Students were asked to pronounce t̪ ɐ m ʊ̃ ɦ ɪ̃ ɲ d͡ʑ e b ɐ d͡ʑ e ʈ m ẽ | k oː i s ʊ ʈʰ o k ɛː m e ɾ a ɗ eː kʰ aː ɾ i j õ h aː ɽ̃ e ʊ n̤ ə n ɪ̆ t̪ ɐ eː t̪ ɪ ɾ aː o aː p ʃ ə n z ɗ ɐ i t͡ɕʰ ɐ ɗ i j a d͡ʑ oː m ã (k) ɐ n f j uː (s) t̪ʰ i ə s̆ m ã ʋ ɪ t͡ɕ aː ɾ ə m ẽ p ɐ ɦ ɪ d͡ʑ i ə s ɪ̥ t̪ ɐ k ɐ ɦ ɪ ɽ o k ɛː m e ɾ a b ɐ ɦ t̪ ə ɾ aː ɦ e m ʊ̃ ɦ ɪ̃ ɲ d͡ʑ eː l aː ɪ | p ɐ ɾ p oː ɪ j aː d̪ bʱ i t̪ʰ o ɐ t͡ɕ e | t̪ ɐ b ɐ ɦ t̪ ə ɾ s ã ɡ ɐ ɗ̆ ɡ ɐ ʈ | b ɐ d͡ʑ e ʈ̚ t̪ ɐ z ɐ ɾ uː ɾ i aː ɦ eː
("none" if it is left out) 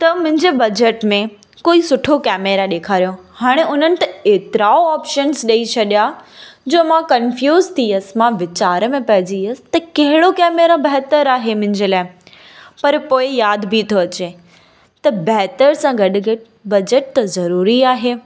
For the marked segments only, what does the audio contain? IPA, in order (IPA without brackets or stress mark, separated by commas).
k, z